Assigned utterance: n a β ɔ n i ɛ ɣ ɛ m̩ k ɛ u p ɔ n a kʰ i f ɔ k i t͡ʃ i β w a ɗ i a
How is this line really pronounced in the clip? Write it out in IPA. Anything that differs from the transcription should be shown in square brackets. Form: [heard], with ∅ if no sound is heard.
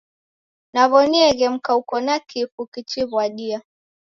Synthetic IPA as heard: n a β ɔ n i ɛ ɣ ɛ m̩ k [a] u [k] ɔ n a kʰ i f [u] k i t͡ʃ i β w a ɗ i a

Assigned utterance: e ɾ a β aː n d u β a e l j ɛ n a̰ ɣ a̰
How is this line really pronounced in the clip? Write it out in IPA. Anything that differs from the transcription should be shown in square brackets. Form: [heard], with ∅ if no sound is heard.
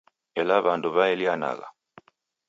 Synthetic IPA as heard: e [l] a β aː n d u β a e l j [a] n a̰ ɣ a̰

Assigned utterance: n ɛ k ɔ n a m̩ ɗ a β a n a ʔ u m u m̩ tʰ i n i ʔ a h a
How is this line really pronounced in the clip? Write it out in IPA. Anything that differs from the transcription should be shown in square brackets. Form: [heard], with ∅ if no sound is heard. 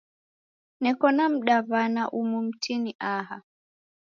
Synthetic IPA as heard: n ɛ k ɔ n a m̩ ɗ a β a n a ʔ u m u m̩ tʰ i n i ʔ a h a

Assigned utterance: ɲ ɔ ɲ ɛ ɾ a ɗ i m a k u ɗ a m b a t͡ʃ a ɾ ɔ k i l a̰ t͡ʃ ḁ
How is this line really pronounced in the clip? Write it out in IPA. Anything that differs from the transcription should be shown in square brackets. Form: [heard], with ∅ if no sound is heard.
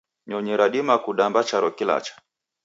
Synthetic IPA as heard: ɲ ɔ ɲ ɛ ɾ a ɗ i m a k u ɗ a m b a t͡ʃ a ɾ ɔ k i l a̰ t͡ʃ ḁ

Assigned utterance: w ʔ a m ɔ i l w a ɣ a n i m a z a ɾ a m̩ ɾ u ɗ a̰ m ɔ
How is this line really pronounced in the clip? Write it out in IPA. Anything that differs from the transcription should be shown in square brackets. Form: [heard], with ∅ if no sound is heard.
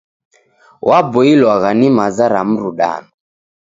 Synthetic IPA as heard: w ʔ a [b] ɔ i l w a ɣ a n i m a z a ɾ a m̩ ɾ u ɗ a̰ [n] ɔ

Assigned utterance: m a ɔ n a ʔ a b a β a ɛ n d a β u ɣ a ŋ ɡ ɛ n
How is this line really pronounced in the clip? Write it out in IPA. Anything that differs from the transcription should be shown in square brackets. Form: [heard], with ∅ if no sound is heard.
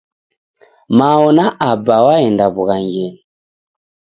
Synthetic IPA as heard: m a ɔ n a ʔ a b a [w] a ɛ n d a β u ɣ a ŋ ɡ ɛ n

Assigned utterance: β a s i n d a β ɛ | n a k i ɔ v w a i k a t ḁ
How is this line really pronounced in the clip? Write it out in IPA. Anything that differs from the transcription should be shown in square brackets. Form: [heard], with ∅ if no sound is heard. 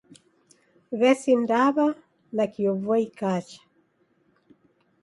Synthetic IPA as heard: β [ɛ] s i n d a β [a] | n a k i ɔ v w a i k a [t͡ʃ] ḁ

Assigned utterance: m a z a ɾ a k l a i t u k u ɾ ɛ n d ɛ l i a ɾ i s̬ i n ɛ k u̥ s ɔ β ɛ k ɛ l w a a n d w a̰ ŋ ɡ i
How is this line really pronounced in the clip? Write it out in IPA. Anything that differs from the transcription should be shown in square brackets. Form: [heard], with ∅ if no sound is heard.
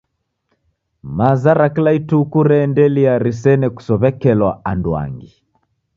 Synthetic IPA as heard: m a z a ɾ a k l a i t u k u ɾ ɛ n d ɛ l i a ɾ i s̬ [ɛ] n ɛ k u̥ s ɔ β ɛ k ɛ l w a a n d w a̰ ŋ ɡ i

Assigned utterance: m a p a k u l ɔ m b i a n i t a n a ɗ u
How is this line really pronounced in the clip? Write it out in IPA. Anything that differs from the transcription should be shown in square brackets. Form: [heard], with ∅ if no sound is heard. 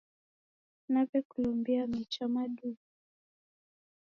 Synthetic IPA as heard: [n] a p [ɛ] k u l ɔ m b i a [m] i [t͡ʃ] a [m] a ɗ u

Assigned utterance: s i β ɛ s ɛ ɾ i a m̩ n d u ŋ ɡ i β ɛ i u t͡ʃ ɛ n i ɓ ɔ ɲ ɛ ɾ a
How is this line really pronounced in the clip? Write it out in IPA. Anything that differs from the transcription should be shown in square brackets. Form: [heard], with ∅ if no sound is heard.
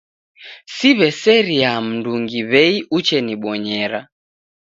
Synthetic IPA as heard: s i β ɛ s ɛ ɾ i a m̩ n d u ŋ ɡ i β ɛ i u t͡ʃ ɛ n i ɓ ɔ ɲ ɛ ɾ a

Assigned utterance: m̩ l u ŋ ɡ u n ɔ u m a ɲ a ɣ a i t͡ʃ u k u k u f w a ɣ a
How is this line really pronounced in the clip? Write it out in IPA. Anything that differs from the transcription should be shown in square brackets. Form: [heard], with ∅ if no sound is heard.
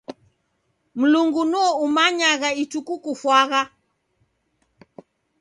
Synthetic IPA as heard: m̩ l u ŋ ɡ u n ɔ u m a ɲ a ɣ a i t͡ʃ u k u k u f w a ɣ a

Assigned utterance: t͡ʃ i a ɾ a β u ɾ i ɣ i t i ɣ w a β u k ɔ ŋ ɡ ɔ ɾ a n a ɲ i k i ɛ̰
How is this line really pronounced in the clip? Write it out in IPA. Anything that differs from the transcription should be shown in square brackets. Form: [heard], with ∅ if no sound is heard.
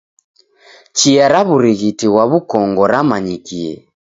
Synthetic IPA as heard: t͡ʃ i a ɾ a β u ɾ i ɣ i t i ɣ w a β u k ɔ ŋ ɡ ɔ ɾ a [m] a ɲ i k i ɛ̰

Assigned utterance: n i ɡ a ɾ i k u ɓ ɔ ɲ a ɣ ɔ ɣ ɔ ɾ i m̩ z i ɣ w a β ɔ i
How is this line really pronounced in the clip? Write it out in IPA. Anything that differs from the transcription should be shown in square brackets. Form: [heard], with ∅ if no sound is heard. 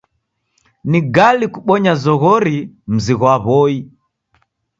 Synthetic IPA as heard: n i ɡ a [l] i k u ɓ ɔ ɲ a [z] ɔ ɣ ɔ ɾ i m̩ z i ɣ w a β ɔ i

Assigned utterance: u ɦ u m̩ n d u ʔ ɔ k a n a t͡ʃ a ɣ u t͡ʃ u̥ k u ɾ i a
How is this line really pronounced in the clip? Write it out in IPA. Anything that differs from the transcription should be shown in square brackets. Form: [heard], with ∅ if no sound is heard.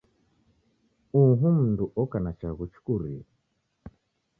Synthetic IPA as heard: u ɦ u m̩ n d u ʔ ɔ k a n a t͡ʃ a ɣ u t͡ʃ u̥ k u ɾ i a

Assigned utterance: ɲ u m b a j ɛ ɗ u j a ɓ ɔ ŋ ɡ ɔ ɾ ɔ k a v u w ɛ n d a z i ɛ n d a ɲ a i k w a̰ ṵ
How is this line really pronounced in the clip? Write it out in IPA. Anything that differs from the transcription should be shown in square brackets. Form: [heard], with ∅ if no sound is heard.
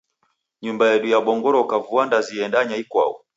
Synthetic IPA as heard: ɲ u m b a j ɛ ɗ u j a ɓ ɔ ŋ ɡ ɔ ɾ ɔ k a v u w [a] n d a z i ɛ n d a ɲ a i k w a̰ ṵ

